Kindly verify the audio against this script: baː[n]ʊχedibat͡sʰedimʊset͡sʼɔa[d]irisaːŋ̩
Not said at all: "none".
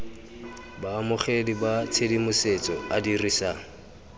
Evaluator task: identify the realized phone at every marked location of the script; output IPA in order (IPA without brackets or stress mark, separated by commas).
m, d